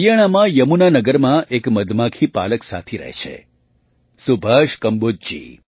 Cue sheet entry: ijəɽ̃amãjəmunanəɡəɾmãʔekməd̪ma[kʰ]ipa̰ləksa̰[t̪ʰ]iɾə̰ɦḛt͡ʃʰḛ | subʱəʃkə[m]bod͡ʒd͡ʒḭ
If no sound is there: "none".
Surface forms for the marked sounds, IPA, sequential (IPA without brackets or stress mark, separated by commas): kʰ, t̪ʰ, m